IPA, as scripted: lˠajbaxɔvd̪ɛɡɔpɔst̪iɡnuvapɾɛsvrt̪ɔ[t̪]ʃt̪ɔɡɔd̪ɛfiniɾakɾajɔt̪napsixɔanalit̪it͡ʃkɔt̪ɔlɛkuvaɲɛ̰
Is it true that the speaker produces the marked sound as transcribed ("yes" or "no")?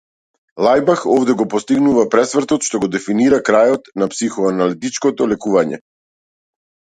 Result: yes